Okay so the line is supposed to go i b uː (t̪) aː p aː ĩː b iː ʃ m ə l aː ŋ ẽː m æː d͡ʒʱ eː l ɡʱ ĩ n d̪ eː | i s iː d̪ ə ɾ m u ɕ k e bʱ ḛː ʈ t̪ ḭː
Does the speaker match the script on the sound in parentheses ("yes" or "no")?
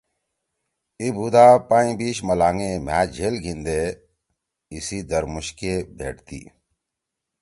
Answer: no